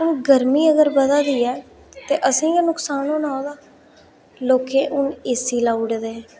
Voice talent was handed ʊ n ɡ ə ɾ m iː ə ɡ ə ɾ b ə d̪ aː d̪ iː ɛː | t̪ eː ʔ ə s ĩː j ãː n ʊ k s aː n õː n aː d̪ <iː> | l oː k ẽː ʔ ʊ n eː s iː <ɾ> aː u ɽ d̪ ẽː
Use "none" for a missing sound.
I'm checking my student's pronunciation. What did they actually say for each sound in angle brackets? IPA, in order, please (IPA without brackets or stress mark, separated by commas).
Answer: aː, l